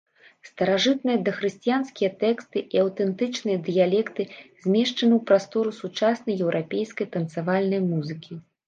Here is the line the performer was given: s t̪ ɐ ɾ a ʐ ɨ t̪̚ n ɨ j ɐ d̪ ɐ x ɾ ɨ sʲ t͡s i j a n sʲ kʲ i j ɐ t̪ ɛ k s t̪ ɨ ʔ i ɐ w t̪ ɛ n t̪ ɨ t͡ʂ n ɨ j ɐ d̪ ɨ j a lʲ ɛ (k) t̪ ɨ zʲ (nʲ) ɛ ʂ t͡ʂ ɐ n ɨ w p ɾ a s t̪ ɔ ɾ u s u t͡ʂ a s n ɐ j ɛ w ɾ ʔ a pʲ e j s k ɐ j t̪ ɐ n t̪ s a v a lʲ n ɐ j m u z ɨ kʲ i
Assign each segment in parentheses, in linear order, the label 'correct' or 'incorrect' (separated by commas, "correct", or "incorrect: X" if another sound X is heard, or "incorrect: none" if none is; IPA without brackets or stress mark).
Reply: correct, incorrect: mʲ